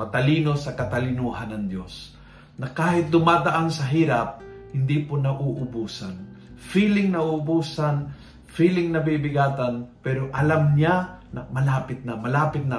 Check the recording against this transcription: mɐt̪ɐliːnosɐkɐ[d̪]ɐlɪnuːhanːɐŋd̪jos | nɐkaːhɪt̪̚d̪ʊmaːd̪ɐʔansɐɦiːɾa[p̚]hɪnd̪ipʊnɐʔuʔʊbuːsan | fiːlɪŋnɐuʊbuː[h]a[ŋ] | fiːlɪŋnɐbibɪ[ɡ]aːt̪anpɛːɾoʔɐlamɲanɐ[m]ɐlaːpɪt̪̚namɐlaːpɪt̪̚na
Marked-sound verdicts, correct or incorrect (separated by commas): incorrect, correct, incorrect, incorrect, correct, correct